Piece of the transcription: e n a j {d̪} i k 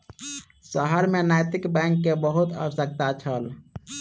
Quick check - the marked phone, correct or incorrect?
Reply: incorrect